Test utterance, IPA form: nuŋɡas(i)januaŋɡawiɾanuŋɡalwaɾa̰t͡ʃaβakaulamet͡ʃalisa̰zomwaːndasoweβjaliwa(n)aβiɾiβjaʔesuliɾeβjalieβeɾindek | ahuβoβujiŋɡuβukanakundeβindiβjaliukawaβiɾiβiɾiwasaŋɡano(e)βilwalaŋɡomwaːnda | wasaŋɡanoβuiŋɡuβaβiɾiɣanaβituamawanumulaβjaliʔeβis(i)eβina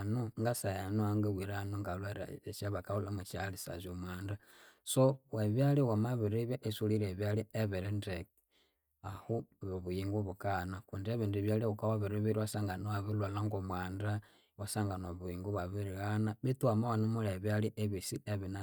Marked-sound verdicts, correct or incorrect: incorrect, incorrect, incorrect, correct

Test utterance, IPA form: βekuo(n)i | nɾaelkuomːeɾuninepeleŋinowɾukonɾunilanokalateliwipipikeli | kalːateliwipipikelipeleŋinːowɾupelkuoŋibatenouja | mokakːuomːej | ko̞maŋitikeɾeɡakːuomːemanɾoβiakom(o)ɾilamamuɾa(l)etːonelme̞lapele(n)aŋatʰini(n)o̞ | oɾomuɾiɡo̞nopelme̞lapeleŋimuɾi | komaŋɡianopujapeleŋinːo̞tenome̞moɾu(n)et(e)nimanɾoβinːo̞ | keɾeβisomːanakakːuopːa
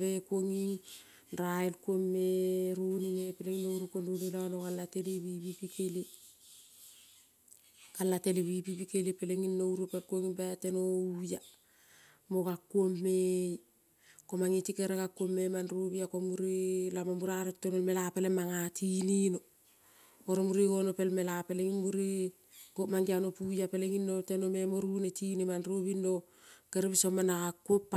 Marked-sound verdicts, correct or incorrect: incorrect, incorrect, incorrect, incorrect, correct, correct, incorrect

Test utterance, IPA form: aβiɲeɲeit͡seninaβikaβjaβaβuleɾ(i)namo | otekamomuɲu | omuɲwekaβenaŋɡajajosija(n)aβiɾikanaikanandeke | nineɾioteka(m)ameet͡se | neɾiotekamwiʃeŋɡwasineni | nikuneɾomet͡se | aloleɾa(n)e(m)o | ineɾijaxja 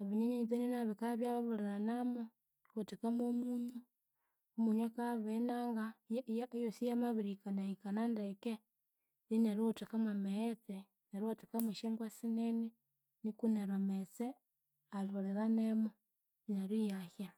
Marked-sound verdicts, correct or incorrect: incorrect, incorrect, correct, correct, correct

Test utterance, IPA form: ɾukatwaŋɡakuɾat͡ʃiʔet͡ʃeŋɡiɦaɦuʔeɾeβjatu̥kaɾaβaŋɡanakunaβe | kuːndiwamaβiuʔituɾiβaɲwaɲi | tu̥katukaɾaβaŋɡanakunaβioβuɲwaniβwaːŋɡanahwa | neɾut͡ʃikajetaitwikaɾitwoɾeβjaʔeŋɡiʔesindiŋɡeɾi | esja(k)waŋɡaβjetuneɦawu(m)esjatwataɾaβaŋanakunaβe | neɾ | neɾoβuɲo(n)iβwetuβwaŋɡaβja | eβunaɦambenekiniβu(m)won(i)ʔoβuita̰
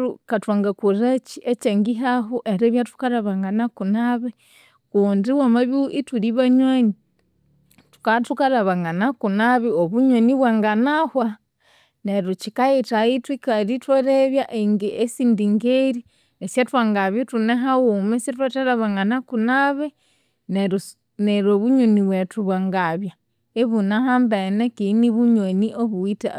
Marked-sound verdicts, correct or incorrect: incorrect, correct, correct, incorrect, correct

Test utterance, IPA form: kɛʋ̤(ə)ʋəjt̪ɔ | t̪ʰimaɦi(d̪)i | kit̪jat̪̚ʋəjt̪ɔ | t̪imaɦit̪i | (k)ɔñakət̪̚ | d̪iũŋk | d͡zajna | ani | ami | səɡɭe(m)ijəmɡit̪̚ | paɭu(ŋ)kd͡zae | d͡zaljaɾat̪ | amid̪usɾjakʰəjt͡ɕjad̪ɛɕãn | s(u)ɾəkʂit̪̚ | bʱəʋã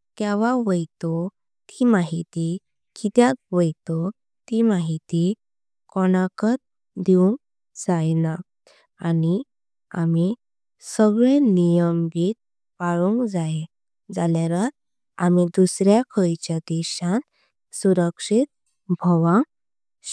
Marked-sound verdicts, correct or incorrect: incorrect, incorrect, correct, incorrect, correct, correct

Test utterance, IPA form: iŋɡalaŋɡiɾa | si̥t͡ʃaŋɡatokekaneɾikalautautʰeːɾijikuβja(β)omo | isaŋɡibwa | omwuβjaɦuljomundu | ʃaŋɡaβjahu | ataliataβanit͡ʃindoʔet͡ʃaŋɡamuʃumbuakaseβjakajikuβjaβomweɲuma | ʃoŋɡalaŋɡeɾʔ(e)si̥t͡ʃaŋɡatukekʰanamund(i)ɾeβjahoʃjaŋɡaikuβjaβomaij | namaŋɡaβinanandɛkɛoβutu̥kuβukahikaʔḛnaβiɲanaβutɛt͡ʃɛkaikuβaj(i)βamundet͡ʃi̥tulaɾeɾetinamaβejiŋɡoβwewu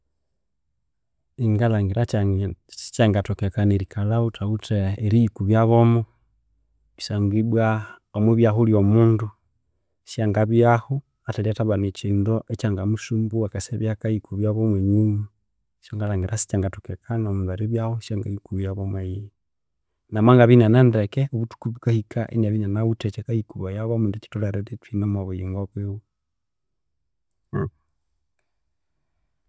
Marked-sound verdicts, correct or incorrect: correct, incorrect, incorrect, incorrect

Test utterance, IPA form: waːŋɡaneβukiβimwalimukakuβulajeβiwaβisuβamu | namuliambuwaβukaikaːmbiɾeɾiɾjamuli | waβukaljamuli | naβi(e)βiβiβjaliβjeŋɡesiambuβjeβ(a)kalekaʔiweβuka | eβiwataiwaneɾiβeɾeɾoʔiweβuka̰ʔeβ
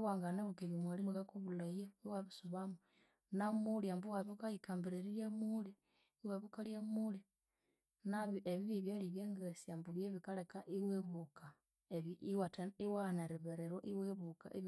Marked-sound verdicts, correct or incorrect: correct, incorrect

